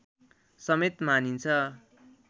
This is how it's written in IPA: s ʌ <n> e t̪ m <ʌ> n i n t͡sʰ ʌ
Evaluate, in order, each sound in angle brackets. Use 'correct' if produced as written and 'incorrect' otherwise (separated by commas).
incorrect, incorrect